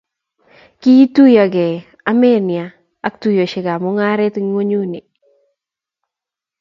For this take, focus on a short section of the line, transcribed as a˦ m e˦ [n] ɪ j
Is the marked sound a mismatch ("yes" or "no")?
no